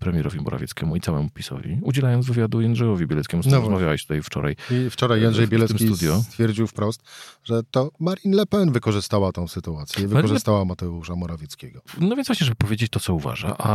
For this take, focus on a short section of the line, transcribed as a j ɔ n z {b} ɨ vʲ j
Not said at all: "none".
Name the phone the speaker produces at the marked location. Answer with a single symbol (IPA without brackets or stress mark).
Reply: v